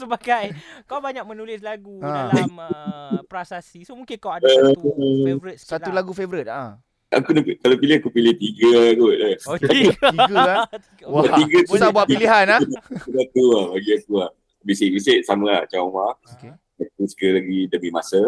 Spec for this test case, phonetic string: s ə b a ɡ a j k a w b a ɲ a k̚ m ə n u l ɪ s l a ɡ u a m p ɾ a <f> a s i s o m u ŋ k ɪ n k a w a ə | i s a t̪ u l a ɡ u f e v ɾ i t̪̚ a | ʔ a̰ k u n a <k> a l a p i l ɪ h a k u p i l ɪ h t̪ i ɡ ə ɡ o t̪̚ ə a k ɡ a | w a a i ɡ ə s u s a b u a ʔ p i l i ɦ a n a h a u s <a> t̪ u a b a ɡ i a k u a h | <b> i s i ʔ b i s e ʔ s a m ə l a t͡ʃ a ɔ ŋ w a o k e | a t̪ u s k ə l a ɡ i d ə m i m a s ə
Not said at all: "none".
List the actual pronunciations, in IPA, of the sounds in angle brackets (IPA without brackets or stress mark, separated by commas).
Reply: s, k, a, b